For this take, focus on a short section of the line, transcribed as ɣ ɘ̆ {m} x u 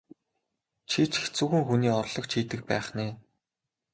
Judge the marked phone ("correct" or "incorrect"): incorrect